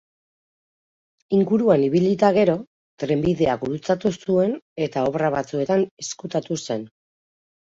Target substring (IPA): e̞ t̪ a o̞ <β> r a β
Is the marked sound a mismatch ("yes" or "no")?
no